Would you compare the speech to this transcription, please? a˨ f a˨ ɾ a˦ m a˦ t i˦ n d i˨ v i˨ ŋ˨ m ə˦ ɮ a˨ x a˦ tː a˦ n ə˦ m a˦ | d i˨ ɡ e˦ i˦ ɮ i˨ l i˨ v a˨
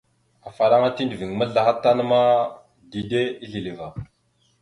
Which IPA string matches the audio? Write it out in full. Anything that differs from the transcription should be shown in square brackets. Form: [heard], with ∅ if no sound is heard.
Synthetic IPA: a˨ f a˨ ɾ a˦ [ŋ] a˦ t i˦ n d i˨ v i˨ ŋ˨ m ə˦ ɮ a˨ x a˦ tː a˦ n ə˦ m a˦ | d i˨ [d] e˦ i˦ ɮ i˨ l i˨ v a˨